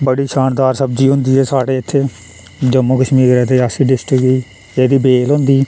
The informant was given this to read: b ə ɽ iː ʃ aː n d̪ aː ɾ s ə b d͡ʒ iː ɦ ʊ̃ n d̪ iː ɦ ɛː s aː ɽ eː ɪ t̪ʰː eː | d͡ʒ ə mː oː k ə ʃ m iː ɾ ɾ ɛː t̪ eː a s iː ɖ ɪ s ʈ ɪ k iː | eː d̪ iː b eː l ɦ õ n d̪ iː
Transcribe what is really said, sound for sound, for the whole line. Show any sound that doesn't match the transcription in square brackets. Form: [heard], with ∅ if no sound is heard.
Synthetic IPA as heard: b ə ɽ iː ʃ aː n d̪ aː ɾ s ə b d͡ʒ iː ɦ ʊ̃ n d̪ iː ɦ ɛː s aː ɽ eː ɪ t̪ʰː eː | d͡ʒ ə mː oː k ə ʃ m iː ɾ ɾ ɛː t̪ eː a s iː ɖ ɪ s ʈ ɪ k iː | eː d̪ iː b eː l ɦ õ n d̪ iː